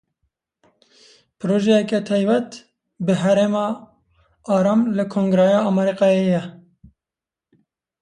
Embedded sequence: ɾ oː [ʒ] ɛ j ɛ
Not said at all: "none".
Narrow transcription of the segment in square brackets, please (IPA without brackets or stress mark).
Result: ʒ